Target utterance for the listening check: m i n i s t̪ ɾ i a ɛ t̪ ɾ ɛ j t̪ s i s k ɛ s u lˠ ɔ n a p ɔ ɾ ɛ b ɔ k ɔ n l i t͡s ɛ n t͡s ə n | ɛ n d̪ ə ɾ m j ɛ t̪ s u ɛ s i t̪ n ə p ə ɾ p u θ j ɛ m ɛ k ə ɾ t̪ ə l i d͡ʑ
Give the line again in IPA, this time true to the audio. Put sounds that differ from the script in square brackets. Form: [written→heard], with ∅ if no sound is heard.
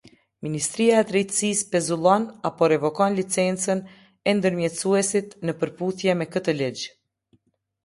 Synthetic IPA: m i n i s t̪ ɾ i a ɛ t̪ ɾ ɛ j t̪ s i s [k→p] ɛ [s→z] u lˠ ɔ n a p ɔ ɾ ɛ [b→v] ɔ k ɔ n l i t͡s ɛ n t͡s ə n | ɛ n d̪ ə ɾ m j ɛ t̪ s u ɛ s i t̪ n ə p ə ɾ p u θ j ɛ m ɛ k ə [ɾ→∅] t̪ ə l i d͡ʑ

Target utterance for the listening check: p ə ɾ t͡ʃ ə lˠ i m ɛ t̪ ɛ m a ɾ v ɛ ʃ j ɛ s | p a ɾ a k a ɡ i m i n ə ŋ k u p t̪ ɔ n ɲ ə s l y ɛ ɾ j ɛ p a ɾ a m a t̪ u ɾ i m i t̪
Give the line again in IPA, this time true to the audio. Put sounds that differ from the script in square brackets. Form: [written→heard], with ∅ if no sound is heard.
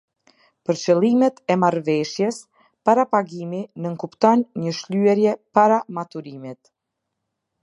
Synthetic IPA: p ə ɾ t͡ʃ ə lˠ i m ɛ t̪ ɛ m a ɾ v ɛ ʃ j ɛ s | p a ɾ a [k→p] a ɡ i m i n ə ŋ k u p t̪ ɔ n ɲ ə [s→ʃ] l y ɛ ɾ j ɛ p a ɾ a m a t̪ u ɾ i m i t̪

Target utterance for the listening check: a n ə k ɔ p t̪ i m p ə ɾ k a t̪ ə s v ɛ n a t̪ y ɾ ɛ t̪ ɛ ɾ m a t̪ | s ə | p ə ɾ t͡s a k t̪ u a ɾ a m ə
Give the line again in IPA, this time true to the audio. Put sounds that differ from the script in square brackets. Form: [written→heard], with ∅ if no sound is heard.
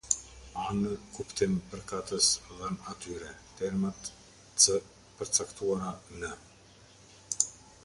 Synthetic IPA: a n ə k [ɔ→u] p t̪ i m p ə ɾ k a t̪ ə s [v→ð] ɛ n a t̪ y ɾ ɛ t̪ ɛ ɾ m a t̪ | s ə | p ə ɾ t͡s a k t̪ u a ɾ a [m→n] ə

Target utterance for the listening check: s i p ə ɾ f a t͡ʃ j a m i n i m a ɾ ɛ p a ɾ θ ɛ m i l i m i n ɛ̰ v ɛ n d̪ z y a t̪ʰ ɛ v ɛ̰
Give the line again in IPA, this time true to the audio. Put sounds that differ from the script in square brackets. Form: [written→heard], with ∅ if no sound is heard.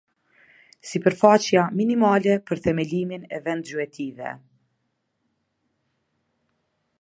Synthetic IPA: s i p ə ɾ f a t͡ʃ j a m i n i m a [ɾ→l] ɛ p [a→ə] ɾ θ ɛ m [i→ɛ] l i m i n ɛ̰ v ɛ n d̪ z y [a→ɛ] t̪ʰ [ɛ→i] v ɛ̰

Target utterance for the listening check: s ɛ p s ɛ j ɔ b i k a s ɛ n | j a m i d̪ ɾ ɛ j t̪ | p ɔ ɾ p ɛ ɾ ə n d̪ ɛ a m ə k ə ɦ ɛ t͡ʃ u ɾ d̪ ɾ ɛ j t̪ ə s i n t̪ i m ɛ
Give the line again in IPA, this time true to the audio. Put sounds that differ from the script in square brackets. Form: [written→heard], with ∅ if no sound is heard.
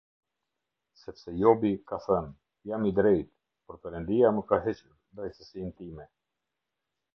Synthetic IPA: s ɛ p s ɛ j ɔ b i k a [s→θ] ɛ n | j a m i d̪ ɾ ɛ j t̪ | p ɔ ɾ p ɛ ɾ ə n d̪ [ɛ→i] a m ə k [ə→a] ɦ ɛ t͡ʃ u ɾ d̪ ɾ ɛ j t̪ ə s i n t̪ i m ɛ

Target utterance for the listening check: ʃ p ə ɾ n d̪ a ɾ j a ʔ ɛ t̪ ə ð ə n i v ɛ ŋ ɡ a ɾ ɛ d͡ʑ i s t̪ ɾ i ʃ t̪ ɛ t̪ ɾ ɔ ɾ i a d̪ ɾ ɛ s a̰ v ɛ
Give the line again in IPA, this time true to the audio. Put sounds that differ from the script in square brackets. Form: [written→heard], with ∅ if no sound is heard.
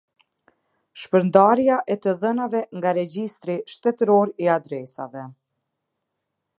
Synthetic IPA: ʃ p ə ɾ n d̪ a ɾ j a ʔ ɛ t̪ ə ð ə n [i→a] v ɛ ŋ ɡ a ɾ ɛ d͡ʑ i s t̪ ɾ i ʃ t̪ ɛ t̪ ɾ ɔ ɾ i a d̪ ɾ ɛ s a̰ v ɛ

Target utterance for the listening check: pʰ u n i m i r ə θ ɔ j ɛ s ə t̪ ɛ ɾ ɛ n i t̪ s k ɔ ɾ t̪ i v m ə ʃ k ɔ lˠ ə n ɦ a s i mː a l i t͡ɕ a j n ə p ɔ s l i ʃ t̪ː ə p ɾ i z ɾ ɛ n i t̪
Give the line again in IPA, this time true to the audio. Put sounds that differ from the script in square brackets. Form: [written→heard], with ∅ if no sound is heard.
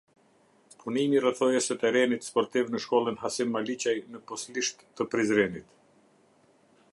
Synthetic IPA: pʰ u n i m i r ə θ ɔ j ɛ s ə t̪ ɛ ɾ ɛ n i t̪ s [k→p] ɔ ɾ t̪ i v [m→n] ə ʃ k ɔ lˠ ə n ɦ a s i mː a l i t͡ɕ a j n ə p ɔ s l i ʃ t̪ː ə p ɾ i z ɾ ɛ n i t̪

